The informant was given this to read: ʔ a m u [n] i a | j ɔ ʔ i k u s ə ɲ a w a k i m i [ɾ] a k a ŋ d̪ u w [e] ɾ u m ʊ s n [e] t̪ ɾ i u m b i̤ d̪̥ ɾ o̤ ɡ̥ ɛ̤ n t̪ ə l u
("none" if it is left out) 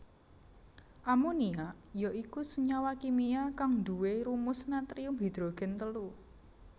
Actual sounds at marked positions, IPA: n, none, e, a

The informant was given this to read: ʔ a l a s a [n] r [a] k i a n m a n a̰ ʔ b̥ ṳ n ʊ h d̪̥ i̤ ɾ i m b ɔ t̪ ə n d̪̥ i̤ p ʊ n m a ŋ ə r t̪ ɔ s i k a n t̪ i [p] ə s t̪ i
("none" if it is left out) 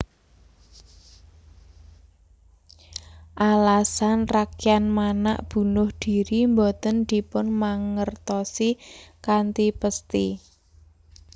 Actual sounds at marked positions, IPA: n, a, p

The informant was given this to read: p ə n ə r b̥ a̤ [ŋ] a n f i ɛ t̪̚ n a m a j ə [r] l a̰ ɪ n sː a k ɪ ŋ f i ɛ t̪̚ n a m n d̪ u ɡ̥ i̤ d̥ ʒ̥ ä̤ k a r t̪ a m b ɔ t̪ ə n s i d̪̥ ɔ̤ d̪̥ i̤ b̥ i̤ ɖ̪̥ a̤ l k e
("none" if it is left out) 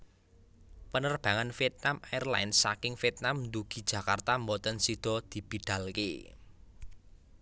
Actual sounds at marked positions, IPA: ŋ, r

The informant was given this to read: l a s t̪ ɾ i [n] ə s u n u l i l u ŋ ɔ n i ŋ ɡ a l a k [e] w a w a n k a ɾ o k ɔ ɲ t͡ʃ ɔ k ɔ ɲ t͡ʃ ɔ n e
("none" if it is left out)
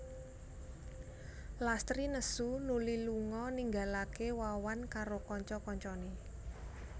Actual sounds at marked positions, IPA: n, e

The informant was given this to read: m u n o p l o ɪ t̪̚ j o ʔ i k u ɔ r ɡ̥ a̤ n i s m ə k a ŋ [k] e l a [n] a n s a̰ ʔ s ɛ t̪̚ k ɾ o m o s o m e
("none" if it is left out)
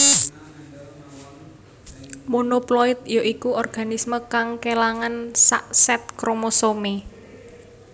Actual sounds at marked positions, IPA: k, ŋ

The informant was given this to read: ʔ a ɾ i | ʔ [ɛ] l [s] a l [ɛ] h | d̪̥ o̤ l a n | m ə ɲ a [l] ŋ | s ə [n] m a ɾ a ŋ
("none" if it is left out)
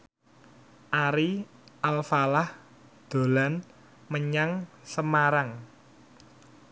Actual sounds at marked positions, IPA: a, f, a, none, none

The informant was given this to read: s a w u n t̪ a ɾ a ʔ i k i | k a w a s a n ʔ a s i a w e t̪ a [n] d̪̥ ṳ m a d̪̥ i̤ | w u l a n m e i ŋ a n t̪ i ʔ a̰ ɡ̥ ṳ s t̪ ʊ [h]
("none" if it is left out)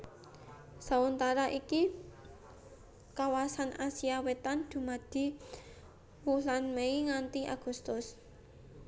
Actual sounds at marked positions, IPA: n, s

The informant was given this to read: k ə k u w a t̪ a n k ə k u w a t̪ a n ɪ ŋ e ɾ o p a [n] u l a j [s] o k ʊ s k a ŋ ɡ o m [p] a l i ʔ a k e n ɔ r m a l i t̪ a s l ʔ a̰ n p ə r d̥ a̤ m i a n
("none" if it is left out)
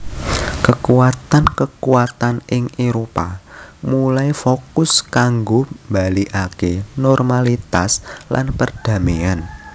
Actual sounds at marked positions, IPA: m, f, b

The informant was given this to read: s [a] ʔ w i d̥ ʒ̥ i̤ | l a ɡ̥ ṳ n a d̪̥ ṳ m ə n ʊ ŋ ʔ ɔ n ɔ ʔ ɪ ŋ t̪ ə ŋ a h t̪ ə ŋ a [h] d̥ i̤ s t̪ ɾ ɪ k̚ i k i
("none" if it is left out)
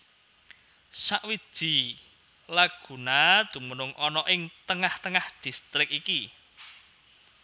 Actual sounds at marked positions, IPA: a, h

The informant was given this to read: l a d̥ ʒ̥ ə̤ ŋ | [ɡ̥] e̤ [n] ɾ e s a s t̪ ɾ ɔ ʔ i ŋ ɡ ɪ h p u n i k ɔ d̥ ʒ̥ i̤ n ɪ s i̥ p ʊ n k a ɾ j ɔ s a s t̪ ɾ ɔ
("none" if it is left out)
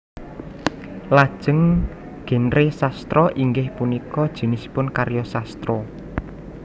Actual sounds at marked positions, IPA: ɡ̥, n

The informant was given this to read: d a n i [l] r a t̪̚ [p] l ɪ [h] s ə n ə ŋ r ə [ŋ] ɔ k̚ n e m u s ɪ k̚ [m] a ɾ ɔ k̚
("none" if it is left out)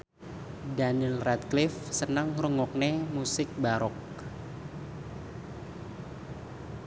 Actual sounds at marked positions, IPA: l, k, f, ŋ, b

